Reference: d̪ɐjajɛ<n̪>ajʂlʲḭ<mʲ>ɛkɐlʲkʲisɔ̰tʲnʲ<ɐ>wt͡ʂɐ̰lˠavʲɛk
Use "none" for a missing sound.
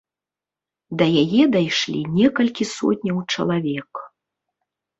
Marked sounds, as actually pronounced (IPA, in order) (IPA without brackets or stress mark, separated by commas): d̪, nʲ, ɐ